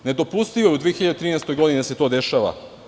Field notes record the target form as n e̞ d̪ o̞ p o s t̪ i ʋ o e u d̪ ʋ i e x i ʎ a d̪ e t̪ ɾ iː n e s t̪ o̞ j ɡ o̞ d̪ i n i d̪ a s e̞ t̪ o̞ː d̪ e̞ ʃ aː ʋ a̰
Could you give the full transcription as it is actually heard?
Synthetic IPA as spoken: n e̞ d̪ o̞ p u s t̪ i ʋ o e u d̪ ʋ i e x i ʎ a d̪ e t̪ ɾ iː n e s t̪ o̞ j ɡ o̞ d̪ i n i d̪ a s e̞ t̪ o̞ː d̪ e̞ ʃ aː ʋ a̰